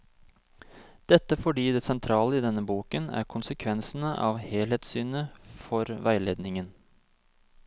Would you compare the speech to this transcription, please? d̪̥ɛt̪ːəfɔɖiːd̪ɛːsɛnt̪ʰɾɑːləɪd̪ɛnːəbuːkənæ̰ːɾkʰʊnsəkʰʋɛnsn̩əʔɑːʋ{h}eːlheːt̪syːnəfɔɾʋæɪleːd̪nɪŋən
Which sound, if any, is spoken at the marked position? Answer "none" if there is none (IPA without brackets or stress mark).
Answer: h